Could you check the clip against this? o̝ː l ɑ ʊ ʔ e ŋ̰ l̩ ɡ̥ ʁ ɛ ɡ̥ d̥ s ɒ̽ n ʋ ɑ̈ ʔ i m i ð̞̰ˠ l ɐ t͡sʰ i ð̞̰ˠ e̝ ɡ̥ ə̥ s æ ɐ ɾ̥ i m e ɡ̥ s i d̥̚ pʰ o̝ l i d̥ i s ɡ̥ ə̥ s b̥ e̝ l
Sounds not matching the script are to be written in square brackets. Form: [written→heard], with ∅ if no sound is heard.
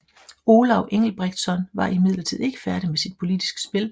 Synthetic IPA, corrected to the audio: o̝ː l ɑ ʊ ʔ e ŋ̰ l̩ [ɡ̥→b̥] ʁ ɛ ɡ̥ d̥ s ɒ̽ n ʋ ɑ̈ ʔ i m i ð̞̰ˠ l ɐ t͡sʰ i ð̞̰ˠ e̝ ɡ̥ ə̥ [s→f] æ ɐ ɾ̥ i m e [ɡ̥→∅] s i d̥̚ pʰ o̝ l i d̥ i s ɡ̥ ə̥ s b̥ e̝ l